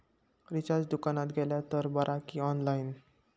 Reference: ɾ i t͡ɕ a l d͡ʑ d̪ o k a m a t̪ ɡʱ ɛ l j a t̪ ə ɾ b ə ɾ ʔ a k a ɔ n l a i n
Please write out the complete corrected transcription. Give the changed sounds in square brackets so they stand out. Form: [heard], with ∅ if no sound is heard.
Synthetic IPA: ɾ i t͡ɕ a [ɾ] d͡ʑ d̪ [u] k a [n] a t̪ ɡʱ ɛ l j a t̪ ə ɾ b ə ɾ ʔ a k [i] ɔ n l a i n